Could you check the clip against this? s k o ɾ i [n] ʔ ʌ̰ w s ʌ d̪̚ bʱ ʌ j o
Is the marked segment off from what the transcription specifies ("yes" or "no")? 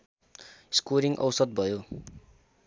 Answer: yes